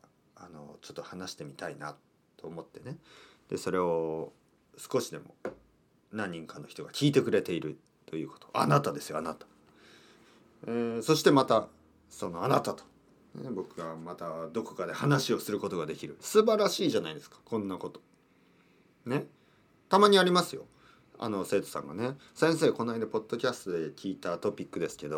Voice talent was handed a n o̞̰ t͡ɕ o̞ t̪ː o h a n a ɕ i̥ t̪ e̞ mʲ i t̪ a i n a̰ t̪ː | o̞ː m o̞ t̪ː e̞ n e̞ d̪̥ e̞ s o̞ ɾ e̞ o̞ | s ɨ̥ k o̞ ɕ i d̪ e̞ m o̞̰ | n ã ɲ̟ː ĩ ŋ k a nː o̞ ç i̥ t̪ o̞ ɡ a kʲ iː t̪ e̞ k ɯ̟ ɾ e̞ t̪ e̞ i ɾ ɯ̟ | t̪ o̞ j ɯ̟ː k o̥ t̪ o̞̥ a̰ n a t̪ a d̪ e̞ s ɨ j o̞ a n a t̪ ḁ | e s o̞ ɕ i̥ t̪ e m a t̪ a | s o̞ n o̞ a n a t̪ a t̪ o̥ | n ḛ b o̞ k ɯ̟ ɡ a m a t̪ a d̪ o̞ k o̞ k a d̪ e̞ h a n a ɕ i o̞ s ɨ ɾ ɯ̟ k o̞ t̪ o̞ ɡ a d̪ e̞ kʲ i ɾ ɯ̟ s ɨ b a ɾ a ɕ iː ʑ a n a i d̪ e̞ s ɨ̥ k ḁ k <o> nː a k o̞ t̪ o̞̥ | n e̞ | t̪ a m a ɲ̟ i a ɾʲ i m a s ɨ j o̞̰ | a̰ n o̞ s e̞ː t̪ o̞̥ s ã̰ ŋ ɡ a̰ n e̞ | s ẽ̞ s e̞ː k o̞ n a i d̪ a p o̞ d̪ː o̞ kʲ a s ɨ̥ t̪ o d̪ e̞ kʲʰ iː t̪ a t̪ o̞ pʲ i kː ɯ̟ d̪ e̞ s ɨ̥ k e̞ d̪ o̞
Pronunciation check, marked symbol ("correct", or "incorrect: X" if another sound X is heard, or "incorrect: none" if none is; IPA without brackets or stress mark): incorrect: õ